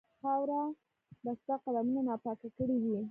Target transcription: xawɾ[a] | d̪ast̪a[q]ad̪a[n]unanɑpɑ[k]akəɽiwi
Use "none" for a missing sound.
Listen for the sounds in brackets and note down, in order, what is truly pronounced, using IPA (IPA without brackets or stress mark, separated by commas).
a, q, m, k